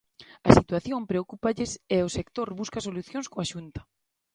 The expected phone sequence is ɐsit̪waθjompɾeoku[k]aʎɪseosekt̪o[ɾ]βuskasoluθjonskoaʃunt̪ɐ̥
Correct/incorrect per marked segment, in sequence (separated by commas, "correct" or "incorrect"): incorrect, correct